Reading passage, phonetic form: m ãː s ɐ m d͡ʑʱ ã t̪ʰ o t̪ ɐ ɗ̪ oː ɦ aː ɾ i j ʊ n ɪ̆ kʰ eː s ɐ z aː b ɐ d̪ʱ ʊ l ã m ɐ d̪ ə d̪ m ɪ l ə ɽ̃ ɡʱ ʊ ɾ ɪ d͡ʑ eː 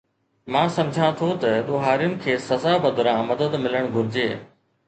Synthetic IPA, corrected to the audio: m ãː s ɐ m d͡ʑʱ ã t̪ʰ o t̪ ɐ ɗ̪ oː ɦ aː ɾ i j ʊ n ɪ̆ kʰ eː s ɐ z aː b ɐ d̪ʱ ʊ ɾ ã m ɐ d̪ ə d̪ m ɪ l ə ɽ̃ ɡʱ ʊ ɾ ɪ d͡ʑ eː